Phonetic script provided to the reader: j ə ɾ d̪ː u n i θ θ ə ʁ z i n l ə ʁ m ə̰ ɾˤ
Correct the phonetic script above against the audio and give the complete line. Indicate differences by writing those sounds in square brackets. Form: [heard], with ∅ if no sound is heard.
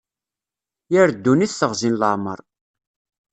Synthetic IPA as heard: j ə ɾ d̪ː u n i θ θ ə ʁ z i n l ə [ʕ] m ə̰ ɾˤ